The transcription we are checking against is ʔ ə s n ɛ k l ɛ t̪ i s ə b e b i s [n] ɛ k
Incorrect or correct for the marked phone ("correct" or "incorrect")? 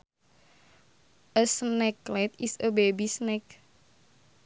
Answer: correct